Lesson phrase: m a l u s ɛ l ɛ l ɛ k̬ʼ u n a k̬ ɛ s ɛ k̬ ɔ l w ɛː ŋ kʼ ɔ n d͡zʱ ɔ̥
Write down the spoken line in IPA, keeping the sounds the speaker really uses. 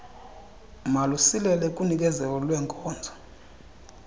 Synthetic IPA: m a l u s i l ɛ l ɛ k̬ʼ u n i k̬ ɛ z ɛ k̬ ɔ l w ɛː ŋ kʼ ɔː n d͡zʱ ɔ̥